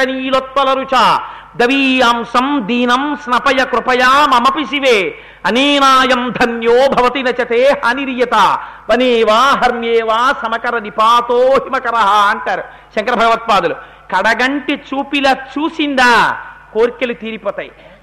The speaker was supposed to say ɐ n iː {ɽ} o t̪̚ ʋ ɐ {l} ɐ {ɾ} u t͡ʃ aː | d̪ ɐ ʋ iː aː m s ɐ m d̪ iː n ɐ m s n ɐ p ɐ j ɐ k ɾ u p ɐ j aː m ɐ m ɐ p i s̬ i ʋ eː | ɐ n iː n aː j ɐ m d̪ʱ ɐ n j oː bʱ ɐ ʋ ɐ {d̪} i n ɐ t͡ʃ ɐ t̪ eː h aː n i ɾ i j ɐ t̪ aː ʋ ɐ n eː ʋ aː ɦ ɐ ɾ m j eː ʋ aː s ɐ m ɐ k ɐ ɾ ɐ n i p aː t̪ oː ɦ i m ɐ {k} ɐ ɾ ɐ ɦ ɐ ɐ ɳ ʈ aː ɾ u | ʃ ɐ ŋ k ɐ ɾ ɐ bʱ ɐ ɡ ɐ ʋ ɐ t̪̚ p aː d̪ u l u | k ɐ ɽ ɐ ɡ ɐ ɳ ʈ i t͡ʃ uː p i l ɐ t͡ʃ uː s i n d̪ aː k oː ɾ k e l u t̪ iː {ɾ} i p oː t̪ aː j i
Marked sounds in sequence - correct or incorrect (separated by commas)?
incorrect, correct, correct, incorrect, correct, correct